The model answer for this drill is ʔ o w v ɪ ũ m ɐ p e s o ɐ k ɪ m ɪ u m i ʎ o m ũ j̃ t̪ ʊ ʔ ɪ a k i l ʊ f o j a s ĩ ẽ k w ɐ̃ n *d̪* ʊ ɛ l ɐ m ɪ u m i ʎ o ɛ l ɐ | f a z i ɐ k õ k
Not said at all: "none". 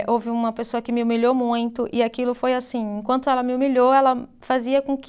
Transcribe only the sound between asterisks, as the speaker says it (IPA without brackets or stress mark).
t̪